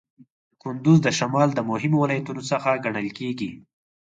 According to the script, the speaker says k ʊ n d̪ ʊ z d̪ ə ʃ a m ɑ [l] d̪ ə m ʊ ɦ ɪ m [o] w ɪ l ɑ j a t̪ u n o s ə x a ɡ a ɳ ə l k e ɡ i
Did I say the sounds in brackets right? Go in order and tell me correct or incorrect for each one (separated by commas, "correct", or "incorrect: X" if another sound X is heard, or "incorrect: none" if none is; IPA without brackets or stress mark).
correct, correct